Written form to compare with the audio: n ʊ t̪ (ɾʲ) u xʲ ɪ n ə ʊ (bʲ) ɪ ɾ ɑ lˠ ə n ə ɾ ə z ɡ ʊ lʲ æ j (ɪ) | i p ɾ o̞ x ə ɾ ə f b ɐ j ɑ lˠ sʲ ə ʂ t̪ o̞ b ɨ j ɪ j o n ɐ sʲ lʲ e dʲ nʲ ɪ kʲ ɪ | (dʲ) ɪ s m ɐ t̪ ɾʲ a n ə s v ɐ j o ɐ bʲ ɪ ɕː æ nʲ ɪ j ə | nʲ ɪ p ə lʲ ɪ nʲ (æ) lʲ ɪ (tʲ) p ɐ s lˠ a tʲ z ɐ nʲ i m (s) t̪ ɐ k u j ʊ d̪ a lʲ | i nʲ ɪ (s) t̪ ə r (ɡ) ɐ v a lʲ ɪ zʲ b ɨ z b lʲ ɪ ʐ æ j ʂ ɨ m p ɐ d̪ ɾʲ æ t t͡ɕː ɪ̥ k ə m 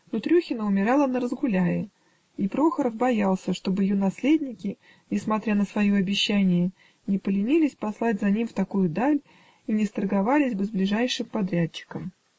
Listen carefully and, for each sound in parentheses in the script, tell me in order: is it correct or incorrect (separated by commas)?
correct, incorrect, correct, incorrect, incorrect, incorrect, incorrect, correct, correct